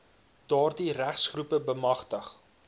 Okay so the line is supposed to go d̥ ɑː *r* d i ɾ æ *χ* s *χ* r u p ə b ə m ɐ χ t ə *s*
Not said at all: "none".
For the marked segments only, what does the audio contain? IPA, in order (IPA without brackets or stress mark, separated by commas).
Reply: r, χ, χ, χ